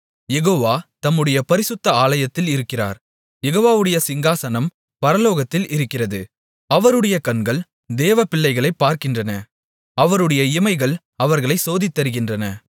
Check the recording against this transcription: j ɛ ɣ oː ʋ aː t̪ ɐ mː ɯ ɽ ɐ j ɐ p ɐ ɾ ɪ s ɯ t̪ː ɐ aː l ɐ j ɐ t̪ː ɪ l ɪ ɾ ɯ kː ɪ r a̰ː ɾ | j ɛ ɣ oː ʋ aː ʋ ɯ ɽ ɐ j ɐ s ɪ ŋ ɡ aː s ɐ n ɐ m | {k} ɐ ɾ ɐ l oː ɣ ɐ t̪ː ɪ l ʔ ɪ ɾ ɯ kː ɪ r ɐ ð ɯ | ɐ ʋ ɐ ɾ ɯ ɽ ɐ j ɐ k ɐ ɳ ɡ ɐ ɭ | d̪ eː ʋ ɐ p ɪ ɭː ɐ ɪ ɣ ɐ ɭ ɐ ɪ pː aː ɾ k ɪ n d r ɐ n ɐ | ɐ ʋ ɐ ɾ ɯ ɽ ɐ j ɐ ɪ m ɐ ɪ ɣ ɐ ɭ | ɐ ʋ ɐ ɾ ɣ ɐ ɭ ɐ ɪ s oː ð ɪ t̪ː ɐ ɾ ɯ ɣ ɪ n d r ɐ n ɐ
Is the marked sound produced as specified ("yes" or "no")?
no